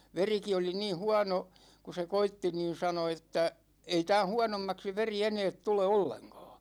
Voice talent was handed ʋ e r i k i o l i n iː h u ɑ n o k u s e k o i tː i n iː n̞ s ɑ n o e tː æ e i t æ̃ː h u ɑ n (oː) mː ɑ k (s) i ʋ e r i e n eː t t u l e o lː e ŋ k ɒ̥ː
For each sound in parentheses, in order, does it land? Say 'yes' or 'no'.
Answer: no, yes

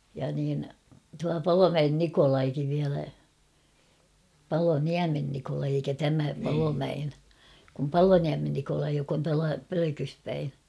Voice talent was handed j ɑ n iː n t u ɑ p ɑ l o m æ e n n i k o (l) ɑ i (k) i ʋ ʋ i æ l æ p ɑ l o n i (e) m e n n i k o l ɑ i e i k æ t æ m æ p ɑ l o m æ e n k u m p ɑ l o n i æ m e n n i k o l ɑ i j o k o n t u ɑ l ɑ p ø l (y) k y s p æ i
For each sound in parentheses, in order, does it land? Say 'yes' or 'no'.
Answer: yes, yes, no, no

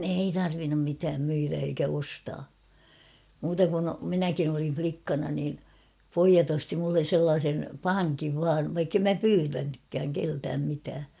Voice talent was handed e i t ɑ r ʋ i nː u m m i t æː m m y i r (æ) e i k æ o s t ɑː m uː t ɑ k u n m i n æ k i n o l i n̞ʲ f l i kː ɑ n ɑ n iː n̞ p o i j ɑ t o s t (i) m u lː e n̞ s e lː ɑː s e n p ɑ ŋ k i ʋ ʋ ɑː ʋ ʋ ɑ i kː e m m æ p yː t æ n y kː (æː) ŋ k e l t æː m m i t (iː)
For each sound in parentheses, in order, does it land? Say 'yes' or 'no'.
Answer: yes, yes, yes, no

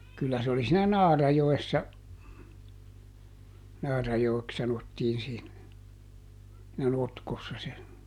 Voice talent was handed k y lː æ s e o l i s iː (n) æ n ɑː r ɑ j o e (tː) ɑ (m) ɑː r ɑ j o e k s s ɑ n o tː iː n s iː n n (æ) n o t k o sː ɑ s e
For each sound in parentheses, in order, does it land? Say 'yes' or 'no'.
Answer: yes, no, no, yes

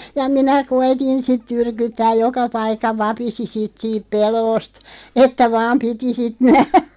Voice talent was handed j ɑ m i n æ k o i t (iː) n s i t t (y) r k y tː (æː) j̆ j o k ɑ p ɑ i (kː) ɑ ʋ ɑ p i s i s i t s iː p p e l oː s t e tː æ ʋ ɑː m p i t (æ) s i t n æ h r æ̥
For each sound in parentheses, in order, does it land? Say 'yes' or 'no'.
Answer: no, yes, yes, yes, no

